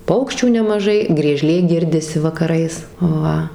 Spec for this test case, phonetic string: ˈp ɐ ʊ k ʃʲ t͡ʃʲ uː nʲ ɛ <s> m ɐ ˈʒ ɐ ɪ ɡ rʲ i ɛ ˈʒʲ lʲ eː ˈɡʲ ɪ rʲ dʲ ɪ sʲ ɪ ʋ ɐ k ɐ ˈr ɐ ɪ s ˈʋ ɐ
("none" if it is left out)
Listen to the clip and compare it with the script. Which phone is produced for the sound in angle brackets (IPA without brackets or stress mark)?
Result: none